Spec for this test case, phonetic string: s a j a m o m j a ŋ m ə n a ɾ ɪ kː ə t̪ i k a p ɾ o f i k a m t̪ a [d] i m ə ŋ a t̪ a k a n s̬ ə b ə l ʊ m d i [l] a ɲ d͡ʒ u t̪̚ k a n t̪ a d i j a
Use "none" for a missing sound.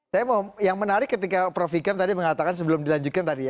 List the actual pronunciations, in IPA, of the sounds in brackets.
d, l

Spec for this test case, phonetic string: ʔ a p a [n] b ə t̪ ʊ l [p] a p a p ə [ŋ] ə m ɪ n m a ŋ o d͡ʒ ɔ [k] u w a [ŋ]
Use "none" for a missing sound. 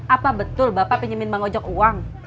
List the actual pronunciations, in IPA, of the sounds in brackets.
none, b, ɲ, k, ŋ

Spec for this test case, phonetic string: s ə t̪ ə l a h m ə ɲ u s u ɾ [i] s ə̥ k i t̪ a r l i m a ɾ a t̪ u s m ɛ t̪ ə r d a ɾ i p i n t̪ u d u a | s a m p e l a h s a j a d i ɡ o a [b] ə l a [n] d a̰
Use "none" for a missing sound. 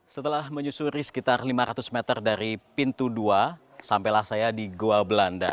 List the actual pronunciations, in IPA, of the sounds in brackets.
i, b, n

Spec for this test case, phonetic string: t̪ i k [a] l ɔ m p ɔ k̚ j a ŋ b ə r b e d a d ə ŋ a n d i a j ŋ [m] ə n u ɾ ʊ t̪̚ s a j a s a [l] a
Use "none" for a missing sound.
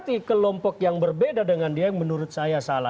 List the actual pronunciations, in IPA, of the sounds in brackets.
ə, m, l

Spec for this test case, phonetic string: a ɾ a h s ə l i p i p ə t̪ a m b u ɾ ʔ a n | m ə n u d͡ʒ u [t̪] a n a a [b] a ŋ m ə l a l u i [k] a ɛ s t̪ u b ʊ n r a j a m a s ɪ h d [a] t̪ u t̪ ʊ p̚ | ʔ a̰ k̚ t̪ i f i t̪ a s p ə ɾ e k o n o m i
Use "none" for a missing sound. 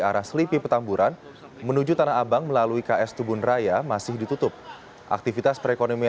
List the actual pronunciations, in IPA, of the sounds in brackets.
t̪, b, k, i

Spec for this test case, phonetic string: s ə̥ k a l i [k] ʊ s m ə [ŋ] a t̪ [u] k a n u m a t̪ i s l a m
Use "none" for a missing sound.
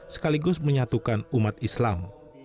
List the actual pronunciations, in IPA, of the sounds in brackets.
ɡ, ɲ, u

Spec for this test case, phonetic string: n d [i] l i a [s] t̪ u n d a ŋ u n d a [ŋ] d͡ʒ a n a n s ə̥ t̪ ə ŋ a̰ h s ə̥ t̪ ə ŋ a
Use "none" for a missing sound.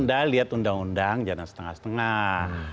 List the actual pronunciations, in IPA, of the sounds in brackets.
a, none, ŋ

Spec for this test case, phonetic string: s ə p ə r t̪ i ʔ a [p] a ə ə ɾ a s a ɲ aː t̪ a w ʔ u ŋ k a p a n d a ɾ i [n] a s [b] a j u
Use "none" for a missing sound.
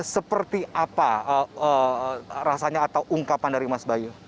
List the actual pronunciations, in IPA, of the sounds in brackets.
p, m, b

